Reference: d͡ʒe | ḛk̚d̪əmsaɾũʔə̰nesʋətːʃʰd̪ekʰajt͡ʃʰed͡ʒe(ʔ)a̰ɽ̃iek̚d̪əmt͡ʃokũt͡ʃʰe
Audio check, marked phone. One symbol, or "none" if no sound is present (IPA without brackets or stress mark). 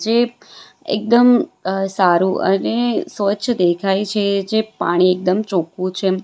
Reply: p